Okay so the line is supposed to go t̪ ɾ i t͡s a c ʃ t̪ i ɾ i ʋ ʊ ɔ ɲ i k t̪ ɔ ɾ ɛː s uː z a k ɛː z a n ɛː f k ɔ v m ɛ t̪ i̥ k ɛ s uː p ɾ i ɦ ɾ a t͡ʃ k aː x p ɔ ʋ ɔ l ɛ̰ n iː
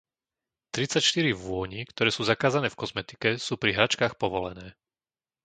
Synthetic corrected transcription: t̪ ɾ i t͡s a c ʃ t̪ i ɾ i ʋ ʊ ɔ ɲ i k t̪ ɔ ɾ ɛː s uː z a k aː z a n ɛː f k ɔ z m ɛ t̪ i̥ k ɛ s uː p ɾ i ɦ ɾ a t͡ʃ k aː x p ɔ ʋ ɔ l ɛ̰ n ɛː